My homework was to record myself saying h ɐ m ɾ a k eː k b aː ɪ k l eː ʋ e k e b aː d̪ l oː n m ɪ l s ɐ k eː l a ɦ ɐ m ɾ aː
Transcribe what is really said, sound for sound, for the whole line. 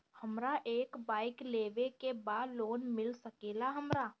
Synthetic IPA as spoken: h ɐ m ɾ a ʔ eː k b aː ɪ k l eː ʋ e k e b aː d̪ l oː n m ɪ l s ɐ k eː l a ɦ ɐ m ɾ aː